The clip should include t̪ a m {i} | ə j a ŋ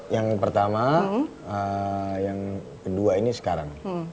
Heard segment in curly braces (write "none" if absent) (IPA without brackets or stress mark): a